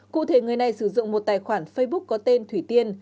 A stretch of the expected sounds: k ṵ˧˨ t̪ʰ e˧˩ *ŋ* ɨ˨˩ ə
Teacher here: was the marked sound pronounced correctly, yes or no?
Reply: yes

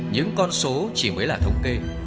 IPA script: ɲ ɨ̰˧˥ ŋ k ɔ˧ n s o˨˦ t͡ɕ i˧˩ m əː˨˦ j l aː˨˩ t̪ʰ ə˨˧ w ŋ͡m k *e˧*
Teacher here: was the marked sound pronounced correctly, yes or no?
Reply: yes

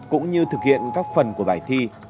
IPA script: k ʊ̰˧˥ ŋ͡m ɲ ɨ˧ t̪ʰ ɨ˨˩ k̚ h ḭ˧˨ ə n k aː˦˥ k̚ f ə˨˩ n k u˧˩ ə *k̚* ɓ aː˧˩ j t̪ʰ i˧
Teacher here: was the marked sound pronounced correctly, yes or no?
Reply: no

